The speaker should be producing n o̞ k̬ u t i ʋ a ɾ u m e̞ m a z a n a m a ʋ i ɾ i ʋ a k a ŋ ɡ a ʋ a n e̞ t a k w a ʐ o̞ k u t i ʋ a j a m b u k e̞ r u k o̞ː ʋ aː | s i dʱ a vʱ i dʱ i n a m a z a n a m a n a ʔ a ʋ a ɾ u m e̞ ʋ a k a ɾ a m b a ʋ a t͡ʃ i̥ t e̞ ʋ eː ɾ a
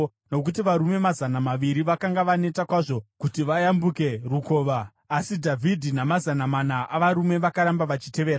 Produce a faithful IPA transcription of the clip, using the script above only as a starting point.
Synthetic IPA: n o̞ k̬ u t i ʋ a ɾ u m e̞ m a z a n a m a ʋ i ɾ i ʋ a k a ŋ ɡ a ʋ a n e̞ t a k w a ʐ o̞ k u t i ʋ a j a m b u k e̞ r u k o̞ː ʋ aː | s i dʱ a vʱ i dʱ i n a m a z a n a m a n a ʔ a ʋ a ɾ u m e̞ ʋ a k a ɾ a m b a ʋ a t͡ʃ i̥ t e̞ ʋ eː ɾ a